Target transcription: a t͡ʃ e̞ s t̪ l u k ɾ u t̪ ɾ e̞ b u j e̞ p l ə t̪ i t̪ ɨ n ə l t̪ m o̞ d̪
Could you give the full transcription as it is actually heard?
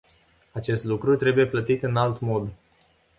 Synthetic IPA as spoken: a t͡ʃ e̞ s t̪ l u k ɾ u t̪ ɾ e̞ b u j e̞ p l ə t̪ i t̪ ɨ n a l t̪ m o̞ d̪